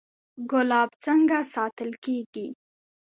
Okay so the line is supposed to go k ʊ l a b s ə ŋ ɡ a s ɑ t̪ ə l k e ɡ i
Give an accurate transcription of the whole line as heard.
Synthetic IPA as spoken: ɡ ʊ l ɑ b t͡s ə ŋ ɡ a s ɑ t̪ ə l k e ɡ i